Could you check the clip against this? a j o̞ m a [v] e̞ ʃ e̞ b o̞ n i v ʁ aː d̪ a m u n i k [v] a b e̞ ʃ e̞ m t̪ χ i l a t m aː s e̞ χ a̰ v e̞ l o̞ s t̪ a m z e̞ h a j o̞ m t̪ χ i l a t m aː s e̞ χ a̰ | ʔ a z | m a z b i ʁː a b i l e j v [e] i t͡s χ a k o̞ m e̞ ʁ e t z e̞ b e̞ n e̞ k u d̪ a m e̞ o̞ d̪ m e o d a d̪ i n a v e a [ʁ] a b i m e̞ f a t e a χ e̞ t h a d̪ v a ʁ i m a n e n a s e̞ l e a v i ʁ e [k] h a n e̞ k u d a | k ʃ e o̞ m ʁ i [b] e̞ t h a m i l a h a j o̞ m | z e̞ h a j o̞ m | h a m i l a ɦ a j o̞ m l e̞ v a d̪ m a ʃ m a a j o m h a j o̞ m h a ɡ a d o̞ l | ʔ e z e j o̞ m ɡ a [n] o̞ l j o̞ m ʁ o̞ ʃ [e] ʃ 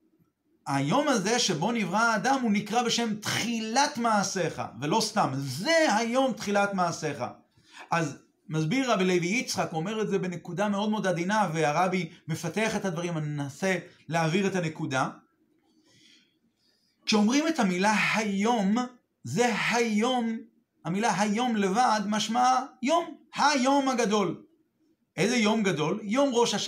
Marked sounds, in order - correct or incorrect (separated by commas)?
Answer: incorrect, incorrect, incorrect, correct, incorrect, incorrect, incorrect, incorrect